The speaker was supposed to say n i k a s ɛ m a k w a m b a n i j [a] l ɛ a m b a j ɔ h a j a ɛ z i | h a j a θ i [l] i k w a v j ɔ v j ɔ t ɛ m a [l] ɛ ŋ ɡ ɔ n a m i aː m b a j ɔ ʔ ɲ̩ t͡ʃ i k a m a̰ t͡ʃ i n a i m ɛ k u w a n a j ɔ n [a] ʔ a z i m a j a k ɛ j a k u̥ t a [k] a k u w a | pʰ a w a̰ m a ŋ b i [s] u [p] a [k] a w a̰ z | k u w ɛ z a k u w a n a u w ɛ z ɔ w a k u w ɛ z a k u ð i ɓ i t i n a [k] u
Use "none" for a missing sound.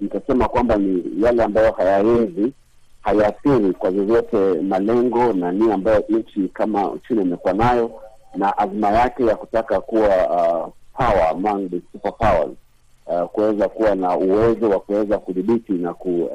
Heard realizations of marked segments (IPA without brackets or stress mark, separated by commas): a, ɾ, l, a, k, s, p, p, k